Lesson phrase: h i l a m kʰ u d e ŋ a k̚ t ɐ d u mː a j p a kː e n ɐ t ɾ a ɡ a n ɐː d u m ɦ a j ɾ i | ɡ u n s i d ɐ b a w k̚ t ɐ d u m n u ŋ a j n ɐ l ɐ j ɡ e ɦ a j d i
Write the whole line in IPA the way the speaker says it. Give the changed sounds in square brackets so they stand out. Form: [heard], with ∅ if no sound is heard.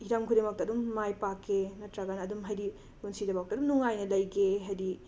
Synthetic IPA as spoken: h i [ɾ] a m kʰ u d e [m] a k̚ t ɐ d u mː a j p a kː e n ɐ t ɾ a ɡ a n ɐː d u m ɦ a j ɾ i | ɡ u n s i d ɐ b a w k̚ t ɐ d u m n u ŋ a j n ɐ l ɐ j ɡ e ɦ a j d i